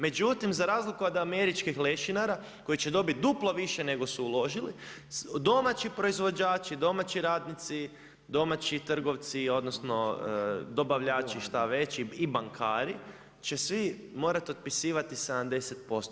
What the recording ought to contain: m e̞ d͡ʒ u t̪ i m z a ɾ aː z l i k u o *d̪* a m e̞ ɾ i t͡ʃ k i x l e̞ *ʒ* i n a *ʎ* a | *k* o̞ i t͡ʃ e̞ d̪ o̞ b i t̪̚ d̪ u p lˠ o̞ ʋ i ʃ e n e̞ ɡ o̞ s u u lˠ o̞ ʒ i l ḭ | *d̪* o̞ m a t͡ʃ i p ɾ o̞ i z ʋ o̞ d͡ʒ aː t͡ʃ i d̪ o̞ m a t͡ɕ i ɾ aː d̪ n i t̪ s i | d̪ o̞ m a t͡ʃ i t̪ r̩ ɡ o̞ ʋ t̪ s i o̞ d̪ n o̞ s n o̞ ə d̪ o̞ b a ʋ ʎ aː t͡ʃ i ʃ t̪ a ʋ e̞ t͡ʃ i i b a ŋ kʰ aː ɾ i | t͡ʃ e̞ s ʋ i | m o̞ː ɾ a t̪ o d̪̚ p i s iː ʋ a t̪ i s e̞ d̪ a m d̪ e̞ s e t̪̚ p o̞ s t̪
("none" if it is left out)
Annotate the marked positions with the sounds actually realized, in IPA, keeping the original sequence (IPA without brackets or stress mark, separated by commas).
d̪, ʃ, ɾ, k, d̪